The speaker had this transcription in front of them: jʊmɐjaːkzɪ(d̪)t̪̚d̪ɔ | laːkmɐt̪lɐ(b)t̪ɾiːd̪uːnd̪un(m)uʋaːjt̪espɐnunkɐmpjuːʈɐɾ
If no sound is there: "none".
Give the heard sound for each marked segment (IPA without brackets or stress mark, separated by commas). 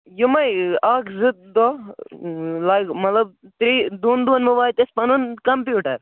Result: none, b, m